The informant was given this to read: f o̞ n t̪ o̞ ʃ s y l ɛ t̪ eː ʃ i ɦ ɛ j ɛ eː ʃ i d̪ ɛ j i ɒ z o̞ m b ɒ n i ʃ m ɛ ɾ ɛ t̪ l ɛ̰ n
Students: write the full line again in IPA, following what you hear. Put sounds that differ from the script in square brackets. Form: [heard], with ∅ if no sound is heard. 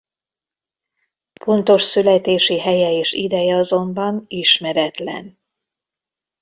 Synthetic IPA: f o̞ n t̪ o̞ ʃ s y l ɛ t̪ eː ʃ i ɦ ɛ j ɛ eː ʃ i d̪ ɛ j [ɛ] ɒ z o̞ m b ɒ n i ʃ m ɛ ɾ ɛ t̪ l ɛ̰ n